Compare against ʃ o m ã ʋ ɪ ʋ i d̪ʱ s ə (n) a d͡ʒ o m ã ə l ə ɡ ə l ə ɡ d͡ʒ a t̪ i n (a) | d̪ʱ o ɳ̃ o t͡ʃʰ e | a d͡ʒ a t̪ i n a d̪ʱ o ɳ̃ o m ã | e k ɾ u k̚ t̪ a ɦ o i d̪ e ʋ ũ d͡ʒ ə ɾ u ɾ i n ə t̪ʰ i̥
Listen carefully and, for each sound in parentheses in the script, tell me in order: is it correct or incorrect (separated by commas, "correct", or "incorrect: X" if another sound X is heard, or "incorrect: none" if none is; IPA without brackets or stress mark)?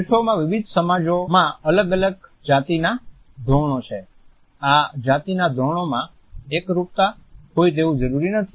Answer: incorrect: m, correct